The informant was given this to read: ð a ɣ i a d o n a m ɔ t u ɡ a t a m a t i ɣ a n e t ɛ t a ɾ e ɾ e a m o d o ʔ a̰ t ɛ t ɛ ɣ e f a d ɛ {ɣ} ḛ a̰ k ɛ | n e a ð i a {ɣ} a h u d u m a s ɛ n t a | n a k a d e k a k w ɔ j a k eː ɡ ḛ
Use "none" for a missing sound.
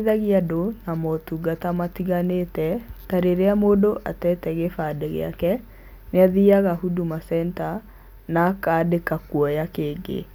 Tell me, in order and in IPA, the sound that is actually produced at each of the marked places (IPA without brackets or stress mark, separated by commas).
ɣ, ɣ